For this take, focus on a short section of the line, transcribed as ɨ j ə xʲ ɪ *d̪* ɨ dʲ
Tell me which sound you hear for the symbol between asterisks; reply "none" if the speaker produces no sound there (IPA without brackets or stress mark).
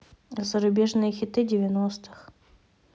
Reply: t̪